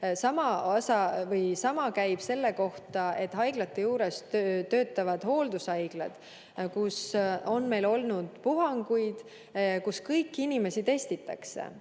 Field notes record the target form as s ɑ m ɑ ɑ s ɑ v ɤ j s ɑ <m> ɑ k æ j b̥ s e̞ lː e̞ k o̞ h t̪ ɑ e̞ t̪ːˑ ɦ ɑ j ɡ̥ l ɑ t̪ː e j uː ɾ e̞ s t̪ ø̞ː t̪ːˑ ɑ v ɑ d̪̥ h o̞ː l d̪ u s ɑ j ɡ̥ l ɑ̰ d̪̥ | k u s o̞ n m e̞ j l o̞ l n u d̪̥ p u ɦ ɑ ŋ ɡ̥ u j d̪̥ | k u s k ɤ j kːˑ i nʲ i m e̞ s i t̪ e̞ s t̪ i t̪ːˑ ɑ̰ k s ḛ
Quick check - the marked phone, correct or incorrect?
correct